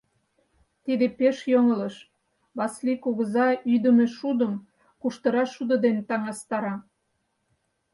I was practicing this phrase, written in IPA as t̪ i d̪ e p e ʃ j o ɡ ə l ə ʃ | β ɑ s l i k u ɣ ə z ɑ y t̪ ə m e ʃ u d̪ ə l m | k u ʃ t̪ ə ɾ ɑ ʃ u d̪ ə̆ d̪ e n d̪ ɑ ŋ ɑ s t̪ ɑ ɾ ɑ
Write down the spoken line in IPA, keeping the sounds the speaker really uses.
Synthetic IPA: t̪ i d̪ e p e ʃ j o ŋ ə l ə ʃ | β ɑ s l i k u ɣ ə z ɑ y d̪ ə m e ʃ u d̪ ə m | k u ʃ t̪ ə ɾ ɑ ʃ u d̪ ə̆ d̪ e n t̪ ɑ ŋ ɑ s t̪ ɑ ɾ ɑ